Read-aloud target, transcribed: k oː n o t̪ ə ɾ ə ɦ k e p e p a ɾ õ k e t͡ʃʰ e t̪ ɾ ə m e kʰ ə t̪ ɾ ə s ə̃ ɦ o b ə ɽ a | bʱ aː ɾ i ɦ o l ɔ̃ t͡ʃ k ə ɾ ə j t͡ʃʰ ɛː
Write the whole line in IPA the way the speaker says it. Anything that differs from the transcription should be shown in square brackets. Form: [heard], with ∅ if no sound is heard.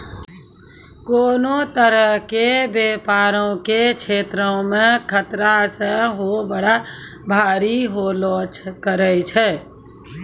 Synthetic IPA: k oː n o t̪ ə ɾ ə ɦ k e [b] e p a ɾ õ k e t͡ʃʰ e t̪ ɾ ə m e kʰ ə t̪ ɾ [a] s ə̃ ɦ o b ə ɽ a | bʱ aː ɾ i ɦ o l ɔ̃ t͡ʃ k ə ɾ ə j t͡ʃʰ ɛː